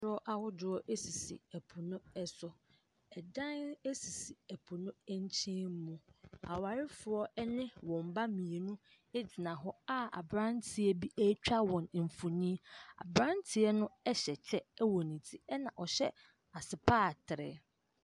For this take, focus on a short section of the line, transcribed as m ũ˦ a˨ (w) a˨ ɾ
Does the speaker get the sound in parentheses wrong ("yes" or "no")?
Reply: no